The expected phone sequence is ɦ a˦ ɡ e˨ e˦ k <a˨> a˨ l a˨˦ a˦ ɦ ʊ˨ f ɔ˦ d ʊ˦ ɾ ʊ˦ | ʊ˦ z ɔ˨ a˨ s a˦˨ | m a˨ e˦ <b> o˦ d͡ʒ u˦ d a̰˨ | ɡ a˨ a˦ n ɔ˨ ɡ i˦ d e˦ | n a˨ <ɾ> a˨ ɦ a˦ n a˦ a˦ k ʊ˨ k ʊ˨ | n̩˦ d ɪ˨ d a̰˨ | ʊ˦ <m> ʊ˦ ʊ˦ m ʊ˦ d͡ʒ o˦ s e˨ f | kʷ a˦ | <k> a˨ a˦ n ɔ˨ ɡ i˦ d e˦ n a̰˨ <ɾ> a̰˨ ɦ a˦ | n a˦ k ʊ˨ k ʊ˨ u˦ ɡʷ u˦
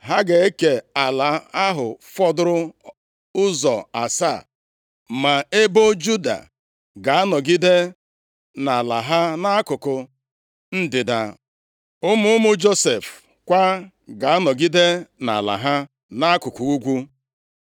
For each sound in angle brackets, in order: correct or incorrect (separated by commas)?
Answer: incorrect, correct, incorrect, correct, incorrect, incorrect